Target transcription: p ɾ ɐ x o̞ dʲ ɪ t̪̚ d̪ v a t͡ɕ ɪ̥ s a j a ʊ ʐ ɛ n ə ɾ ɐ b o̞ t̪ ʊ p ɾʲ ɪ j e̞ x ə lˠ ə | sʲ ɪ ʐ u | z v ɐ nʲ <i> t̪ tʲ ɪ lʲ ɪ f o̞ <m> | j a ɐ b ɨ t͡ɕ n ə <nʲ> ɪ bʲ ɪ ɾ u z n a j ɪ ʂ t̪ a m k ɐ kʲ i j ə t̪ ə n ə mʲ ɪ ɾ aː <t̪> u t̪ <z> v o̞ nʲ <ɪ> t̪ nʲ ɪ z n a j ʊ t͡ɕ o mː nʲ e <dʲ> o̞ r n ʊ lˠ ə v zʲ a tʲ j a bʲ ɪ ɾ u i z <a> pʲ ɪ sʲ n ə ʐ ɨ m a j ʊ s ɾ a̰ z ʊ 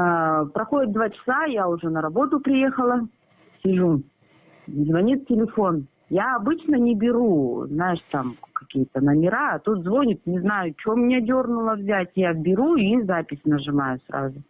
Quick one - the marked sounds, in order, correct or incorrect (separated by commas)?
correct, incorrect, correct, correct, correct, correct, correct, correct